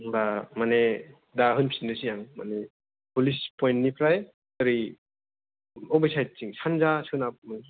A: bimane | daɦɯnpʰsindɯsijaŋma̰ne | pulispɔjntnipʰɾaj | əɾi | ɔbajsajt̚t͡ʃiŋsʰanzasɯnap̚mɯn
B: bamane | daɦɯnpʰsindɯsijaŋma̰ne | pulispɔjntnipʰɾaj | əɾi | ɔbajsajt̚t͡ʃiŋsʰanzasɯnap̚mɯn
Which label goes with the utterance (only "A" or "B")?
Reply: B